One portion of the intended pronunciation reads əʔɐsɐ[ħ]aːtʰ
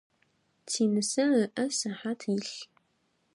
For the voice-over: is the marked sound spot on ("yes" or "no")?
yes